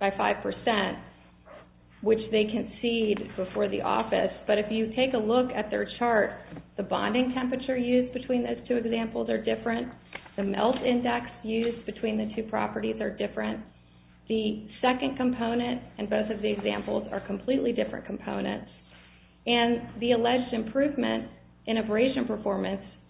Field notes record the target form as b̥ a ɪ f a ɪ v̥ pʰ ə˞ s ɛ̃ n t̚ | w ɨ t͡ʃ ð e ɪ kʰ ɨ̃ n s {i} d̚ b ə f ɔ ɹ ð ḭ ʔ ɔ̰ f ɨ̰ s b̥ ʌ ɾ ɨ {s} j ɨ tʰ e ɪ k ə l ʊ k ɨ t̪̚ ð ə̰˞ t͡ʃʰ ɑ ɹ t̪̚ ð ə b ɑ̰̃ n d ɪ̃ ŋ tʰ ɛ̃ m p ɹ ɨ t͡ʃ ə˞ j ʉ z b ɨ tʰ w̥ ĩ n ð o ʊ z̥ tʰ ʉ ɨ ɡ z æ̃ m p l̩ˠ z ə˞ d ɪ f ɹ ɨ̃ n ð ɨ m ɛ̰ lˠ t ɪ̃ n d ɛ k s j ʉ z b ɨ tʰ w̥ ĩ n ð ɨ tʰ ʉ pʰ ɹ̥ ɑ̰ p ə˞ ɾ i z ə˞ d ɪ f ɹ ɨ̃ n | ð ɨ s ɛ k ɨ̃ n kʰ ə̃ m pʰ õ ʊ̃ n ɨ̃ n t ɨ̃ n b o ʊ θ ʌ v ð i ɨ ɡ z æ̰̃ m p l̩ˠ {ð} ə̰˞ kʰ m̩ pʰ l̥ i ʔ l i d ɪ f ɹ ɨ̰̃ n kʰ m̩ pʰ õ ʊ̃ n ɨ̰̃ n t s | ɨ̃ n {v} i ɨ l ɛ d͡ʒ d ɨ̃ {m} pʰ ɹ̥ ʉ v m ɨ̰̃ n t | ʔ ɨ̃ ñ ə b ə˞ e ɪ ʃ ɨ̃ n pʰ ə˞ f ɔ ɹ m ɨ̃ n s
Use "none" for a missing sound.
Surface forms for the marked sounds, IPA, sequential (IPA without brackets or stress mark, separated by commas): i, f, z, ð, m